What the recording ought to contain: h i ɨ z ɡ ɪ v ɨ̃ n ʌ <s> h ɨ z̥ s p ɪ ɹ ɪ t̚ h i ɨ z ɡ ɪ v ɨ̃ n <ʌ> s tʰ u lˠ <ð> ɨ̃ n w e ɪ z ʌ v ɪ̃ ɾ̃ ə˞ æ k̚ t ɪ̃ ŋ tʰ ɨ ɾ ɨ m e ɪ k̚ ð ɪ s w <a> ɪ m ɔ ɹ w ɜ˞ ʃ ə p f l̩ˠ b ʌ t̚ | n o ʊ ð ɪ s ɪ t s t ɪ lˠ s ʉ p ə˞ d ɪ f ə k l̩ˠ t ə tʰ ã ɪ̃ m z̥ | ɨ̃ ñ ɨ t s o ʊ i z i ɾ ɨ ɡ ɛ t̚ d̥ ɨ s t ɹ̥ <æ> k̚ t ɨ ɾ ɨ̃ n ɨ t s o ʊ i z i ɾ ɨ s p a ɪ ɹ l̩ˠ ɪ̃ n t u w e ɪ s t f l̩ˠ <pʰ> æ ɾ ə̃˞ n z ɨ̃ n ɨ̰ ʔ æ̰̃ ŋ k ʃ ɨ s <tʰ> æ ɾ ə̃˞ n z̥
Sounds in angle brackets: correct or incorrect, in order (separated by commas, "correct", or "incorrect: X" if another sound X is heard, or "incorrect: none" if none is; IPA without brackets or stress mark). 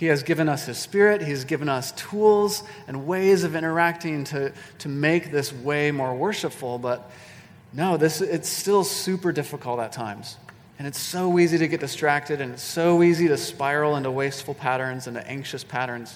correct, correct, incorrect: z, incorrect: e, correct, correct, incorrect: pʰ